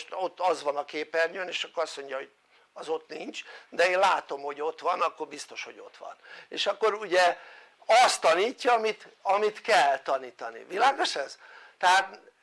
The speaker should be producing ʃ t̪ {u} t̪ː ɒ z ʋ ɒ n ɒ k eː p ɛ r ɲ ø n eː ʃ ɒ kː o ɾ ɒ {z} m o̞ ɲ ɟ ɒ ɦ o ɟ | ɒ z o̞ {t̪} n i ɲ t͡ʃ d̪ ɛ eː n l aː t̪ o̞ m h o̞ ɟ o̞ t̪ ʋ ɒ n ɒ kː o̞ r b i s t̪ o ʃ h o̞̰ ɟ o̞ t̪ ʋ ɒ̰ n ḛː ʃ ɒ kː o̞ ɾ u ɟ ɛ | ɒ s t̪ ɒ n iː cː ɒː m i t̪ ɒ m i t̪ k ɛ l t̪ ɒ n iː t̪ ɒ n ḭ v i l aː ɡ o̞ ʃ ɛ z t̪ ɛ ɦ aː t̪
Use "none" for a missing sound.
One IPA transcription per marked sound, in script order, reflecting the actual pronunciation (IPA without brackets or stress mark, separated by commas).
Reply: o, s, t̪